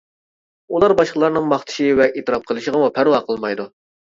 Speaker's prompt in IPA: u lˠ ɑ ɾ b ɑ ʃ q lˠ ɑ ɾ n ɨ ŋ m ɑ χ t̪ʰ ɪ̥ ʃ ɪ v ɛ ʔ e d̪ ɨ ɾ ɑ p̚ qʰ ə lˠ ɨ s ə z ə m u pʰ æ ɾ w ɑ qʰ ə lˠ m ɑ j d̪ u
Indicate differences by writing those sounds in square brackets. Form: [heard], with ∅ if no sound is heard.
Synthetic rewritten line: u lˠ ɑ ɾ b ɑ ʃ q lˠ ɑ ɾ n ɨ ŋ m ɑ χ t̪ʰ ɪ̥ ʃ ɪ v ɛ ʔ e [t̪] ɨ ɾ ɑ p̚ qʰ ə lˠ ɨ [ʃ] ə [ʁ] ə m u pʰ æ ɾ w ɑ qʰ ə lˠ m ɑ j d̪ u

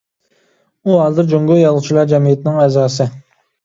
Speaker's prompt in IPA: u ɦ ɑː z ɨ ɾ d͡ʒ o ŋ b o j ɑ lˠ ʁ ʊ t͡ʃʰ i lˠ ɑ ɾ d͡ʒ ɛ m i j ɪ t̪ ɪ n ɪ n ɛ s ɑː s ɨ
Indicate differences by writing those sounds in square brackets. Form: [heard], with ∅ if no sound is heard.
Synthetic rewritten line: u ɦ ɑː z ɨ ɾ d͡ʒ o ŋ [ɡ] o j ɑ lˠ ʁ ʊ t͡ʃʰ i lˠ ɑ ɾ d͡ʒ ɛ m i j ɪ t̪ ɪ n ɪ [ŋ] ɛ [z] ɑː s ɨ

